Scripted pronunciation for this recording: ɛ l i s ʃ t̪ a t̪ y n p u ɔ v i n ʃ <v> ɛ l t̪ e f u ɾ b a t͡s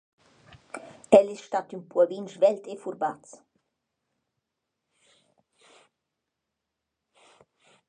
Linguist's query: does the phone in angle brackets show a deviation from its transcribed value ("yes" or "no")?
no